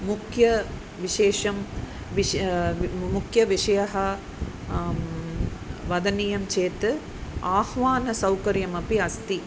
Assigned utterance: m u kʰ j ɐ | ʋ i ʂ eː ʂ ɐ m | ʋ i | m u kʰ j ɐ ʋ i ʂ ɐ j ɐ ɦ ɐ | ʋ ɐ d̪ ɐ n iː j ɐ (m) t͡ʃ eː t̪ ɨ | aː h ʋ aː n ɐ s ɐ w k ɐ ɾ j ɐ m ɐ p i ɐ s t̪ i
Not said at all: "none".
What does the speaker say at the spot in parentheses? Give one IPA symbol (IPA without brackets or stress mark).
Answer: m